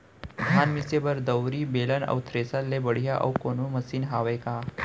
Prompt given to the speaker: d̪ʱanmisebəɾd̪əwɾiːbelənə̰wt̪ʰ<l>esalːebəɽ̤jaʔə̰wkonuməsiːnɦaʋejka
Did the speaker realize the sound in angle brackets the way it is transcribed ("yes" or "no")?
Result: no